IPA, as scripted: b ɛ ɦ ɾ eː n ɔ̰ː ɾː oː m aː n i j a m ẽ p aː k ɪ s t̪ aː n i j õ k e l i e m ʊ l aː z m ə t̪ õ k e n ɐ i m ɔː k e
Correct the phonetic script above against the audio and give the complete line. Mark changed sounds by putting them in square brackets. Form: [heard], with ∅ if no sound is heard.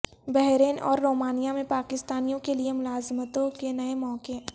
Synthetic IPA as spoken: b ɛ ɦ ɾ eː n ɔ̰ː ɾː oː m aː n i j a m ẽ p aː k ɪ s t̪ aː n i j õ k e l i e m ʊ l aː z m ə t̪ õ k e n ɐ [e] m ɔː k e